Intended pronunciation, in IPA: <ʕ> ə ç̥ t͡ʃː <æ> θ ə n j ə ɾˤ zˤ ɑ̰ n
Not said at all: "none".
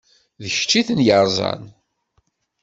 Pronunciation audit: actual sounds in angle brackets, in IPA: ð, i

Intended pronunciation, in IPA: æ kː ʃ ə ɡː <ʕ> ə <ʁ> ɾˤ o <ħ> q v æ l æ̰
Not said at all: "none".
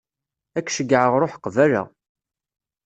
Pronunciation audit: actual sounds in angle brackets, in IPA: ʕ, ʁ, ħ

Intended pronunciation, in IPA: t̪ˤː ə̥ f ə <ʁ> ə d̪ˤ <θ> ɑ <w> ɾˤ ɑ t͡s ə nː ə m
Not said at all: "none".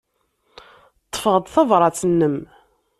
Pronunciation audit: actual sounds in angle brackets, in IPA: ʁ, θ, v

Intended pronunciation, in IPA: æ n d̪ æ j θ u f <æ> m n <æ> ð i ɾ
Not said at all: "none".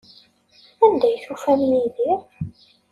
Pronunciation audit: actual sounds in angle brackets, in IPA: æ, i

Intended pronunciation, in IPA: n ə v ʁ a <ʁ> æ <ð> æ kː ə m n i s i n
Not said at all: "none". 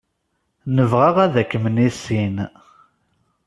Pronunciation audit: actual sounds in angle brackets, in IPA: ʁ, ð

